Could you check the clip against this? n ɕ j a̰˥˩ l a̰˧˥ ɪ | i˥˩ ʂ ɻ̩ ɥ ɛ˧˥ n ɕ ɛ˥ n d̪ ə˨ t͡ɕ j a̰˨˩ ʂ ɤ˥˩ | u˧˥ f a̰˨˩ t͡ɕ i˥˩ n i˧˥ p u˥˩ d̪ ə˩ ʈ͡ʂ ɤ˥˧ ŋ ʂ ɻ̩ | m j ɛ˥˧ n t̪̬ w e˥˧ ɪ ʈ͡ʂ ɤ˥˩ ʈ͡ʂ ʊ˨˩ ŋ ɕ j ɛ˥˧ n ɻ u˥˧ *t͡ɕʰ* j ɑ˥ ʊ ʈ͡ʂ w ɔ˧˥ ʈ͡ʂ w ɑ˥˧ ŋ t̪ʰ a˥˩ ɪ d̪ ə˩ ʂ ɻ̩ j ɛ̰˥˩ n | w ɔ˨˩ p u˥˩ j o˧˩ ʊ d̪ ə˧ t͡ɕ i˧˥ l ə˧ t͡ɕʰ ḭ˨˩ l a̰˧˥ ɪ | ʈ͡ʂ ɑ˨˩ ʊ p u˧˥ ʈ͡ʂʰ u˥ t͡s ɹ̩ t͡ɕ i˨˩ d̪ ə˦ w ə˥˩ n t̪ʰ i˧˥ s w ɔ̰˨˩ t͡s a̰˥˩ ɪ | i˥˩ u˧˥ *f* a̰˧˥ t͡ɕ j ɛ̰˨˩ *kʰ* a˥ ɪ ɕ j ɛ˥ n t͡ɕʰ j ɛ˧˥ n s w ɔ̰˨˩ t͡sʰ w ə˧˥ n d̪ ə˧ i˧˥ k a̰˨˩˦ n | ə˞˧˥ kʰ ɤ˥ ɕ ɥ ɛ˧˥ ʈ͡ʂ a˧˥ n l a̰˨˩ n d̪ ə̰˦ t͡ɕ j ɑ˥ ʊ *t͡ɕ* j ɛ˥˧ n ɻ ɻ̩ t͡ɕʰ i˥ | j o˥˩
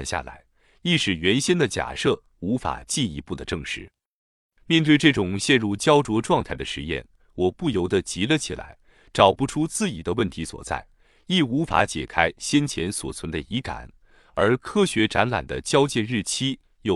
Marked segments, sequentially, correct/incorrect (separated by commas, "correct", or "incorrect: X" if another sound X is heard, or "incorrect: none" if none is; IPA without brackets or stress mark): incorrect: t͡ɕ, correct, correct, correct